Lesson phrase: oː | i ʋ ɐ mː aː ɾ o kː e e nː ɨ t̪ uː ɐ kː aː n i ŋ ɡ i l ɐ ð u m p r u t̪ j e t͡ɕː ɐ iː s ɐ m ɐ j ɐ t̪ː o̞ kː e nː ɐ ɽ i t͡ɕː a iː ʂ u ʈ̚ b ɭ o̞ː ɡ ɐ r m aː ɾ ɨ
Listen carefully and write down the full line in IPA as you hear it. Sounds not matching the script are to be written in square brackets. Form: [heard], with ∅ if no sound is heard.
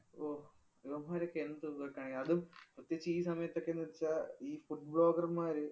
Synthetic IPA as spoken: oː | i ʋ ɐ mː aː ɾ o kː e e nː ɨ t̪ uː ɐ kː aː [ɳ] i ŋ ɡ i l ɐ ð u m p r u t̪ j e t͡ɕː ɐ iː s ɐ m ɐ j ɐ t̪ː o̞ kː e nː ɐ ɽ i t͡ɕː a iː [f] u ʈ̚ b ɭ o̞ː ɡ ɐ r m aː ɾ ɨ